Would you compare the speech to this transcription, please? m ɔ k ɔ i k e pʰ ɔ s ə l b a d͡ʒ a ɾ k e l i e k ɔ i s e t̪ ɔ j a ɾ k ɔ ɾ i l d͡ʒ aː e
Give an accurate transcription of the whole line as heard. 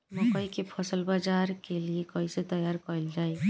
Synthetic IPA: m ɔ k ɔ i k e pʰ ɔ s ə l b a d͡ʒ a ɾ k e l i e k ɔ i s e t̪ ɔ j a ɾ k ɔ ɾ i l d͡ʒ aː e

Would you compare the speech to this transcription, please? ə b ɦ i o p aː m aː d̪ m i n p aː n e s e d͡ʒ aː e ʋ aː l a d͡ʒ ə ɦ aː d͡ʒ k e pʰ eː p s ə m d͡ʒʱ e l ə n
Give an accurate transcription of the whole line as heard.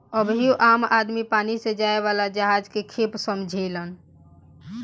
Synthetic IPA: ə b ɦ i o ʔ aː m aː d̪ m i p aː n i s e d͡ʒ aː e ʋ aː l a d͡ʒ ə ɦ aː d͡ʒ k e kʰ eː p s ə m d͡ʒʱ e l ə n

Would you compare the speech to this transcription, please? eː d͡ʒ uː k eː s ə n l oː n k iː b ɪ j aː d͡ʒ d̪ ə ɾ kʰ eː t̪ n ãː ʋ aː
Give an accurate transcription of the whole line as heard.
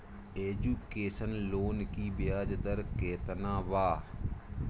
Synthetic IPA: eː d͡ʒ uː k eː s ə n l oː n k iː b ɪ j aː d͡ʒ d̪ ə ɾ k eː t̪ n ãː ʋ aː

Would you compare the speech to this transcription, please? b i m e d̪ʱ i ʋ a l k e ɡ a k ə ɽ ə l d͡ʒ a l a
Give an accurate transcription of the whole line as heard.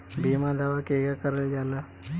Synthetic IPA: b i m a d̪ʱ a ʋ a k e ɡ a k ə ɾ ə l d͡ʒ a l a

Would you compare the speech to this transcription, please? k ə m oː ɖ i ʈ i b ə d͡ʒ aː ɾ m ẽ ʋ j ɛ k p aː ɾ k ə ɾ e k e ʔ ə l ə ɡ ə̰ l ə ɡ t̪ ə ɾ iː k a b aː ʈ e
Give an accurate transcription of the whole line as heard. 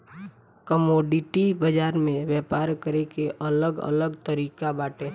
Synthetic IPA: k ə m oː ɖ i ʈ i b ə d͡ʒ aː ɾ m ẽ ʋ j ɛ p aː ɾ k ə ɾ e k e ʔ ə l ə ɡ ə̰ l ə ɡ t̪ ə ɾ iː k a b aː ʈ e

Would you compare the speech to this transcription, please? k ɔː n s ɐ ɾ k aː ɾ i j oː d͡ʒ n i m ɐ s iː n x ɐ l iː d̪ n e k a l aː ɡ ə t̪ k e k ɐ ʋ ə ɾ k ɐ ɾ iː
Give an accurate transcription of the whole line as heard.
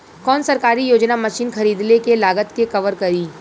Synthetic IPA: k ɔː n s ɐ ɾ k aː ɾ i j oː d͡ʒ n a m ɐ ʃ iː n x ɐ ɾ iː d̪ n e k e l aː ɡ ə t̪ k e k ɐ ʋ ə ɾ k ɐ ɾ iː

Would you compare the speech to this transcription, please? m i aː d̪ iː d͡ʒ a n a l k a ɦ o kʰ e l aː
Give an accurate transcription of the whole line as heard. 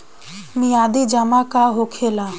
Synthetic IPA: m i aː d̪ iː d͡ʒ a m a k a ɦ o kʰ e l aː

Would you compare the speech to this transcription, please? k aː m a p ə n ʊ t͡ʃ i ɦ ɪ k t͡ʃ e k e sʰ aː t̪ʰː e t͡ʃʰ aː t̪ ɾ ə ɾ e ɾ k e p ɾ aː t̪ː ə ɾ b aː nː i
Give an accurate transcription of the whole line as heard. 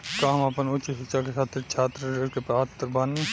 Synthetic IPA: k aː m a p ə n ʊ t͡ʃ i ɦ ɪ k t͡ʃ a k e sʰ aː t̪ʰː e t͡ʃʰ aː t̪ ɾ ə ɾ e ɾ k e p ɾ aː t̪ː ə ɾ b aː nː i

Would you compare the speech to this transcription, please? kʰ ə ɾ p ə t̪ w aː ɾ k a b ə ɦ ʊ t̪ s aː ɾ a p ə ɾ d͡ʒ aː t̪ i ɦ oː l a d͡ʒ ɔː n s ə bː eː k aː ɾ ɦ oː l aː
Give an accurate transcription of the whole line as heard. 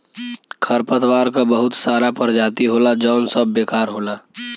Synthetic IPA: kʰ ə ɾ p ə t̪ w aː ɾ k a b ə ɦ ʊ t̪ s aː ɾ a p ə ɾ d͡ʒ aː t̪ i ɦ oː l a d͡ʒ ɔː n s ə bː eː k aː ɾ ɦ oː l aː

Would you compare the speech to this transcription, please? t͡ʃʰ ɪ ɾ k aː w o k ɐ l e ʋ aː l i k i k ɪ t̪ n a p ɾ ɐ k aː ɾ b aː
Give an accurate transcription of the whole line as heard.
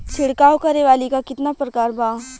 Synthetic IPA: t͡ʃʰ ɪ ɽ k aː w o k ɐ ɾ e ʋ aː l i k a k ɪ t̪ n a p ɾ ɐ k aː ɾ b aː

